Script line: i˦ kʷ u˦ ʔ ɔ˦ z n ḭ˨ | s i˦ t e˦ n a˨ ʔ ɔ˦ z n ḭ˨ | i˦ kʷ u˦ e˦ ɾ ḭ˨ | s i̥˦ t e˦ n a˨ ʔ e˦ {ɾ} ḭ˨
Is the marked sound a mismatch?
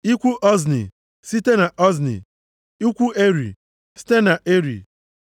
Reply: no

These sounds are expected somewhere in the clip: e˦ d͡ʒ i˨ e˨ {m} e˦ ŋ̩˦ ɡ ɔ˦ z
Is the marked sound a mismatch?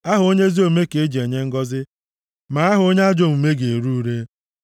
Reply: yes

